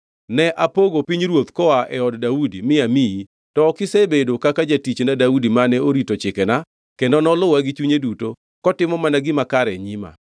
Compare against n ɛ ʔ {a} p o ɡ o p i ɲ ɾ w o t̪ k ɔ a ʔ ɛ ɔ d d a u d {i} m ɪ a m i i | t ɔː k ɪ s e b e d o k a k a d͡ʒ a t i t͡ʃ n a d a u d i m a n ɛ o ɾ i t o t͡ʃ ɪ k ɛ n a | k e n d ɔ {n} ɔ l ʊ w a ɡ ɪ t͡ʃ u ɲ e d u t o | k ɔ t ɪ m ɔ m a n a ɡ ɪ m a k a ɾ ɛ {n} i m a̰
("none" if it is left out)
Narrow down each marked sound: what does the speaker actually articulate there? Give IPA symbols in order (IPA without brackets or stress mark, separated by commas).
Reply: a, i, n, ɲ